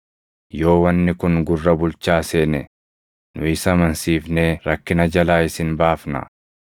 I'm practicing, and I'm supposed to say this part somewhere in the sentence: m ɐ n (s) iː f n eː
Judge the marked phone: correct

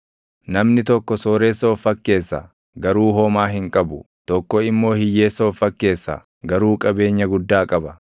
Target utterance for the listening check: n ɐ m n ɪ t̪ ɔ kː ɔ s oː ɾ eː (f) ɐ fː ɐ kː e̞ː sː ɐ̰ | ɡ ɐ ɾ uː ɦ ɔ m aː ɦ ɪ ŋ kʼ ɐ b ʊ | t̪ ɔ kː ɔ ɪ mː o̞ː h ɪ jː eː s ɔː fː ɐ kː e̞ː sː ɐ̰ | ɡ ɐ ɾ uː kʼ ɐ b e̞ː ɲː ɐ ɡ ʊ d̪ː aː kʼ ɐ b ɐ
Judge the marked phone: incorrect: s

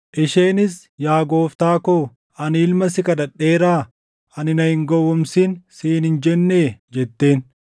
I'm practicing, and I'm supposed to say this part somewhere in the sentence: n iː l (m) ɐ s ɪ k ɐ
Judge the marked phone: correct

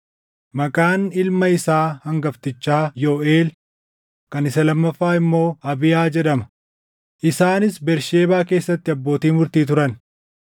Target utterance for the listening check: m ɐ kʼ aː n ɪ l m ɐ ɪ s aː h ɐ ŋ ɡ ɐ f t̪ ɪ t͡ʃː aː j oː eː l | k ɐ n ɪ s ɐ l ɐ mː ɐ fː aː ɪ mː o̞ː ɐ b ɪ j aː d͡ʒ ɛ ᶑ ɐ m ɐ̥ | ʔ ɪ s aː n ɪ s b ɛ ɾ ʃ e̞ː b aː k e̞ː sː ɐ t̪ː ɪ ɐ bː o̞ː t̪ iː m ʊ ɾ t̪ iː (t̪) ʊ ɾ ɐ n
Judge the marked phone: correct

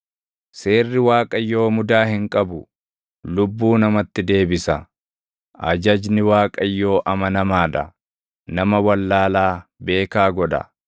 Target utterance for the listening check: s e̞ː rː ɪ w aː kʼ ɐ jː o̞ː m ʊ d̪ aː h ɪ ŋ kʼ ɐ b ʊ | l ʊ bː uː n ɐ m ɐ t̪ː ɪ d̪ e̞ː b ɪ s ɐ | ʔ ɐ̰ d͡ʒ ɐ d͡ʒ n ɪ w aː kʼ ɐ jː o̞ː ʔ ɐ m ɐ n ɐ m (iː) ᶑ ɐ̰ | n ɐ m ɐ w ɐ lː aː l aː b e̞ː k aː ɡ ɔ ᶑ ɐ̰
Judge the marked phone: incorrect: aː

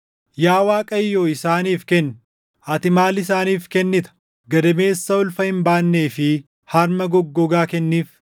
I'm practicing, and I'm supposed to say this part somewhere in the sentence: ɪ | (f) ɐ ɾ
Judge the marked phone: incorrect: h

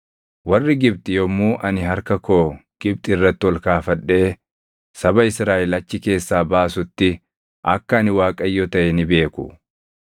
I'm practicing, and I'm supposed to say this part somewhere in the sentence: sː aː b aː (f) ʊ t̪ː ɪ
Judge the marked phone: incorrect: s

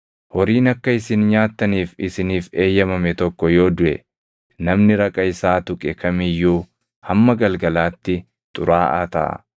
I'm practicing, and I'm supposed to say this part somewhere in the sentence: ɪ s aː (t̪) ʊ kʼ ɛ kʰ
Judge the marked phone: correct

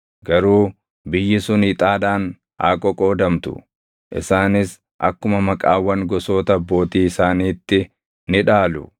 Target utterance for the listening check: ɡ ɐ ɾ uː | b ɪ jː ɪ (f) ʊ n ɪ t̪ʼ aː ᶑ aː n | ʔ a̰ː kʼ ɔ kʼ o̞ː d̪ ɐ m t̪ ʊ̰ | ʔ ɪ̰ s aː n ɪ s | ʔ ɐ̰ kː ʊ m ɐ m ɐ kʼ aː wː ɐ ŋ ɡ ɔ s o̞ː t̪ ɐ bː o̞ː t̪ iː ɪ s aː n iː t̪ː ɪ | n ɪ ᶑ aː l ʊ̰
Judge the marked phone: incorrect: s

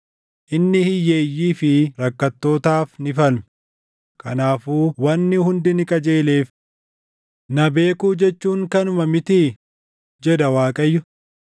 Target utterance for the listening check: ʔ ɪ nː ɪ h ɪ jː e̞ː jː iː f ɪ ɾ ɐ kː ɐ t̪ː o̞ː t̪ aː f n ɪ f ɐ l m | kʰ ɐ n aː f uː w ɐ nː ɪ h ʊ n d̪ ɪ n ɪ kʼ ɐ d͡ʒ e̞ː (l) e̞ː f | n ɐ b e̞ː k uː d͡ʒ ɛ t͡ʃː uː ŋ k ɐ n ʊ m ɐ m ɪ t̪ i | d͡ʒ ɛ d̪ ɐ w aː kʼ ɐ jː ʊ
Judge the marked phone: correct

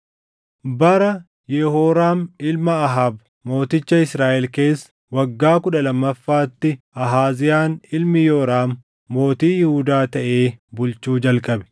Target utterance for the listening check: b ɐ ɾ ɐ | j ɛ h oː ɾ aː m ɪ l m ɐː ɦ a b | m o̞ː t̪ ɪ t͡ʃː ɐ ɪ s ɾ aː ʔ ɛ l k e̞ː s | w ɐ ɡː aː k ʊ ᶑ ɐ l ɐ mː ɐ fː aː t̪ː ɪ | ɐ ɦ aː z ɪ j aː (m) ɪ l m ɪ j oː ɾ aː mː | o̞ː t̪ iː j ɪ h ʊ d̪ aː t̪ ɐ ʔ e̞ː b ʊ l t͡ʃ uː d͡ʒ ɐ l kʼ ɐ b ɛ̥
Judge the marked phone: incorrect: n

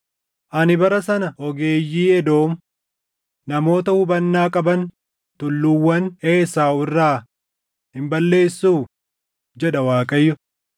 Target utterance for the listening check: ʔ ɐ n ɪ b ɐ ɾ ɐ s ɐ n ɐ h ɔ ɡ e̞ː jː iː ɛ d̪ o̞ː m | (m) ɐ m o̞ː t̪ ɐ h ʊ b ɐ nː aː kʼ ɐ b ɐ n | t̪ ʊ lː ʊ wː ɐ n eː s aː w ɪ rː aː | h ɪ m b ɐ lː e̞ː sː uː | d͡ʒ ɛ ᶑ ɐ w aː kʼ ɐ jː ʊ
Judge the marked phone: incorrect: n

